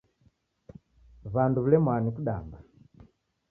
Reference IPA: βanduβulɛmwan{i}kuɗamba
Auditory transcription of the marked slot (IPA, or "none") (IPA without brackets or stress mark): i